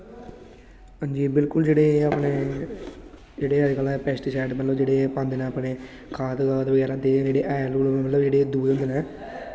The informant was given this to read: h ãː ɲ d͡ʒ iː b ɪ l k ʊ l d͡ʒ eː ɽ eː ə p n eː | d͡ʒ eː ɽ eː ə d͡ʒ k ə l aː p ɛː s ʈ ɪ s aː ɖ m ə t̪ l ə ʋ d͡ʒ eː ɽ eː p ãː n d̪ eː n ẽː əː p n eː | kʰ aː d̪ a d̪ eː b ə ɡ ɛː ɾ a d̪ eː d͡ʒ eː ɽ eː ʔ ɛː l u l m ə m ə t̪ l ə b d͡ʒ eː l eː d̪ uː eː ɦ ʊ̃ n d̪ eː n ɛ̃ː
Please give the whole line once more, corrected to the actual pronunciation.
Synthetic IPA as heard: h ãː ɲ d͡ʒ iː b ɪ l k ʊ l d͡ʒ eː ɽ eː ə p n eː | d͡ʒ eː ɽ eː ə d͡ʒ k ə l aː p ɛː s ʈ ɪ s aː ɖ m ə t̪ l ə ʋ d͡ʒ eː ɽ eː p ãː n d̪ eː n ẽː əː p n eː | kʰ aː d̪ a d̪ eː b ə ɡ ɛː ɾ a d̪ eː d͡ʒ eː ɽ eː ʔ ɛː l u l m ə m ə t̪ l ə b d͡ʒ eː ɽ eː d̪ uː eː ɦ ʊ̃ n d̪ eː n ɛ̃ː